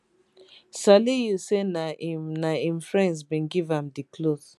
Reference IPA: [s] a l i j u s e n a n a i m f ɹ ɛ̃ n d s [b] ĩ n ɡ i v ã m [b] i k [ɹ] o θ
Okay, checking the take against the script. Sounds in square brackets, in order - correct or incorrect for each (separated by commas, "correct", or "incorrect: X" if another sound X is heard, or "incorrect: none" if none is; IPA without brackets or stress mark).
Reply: correct, correct, incorrect: d, incorrect: l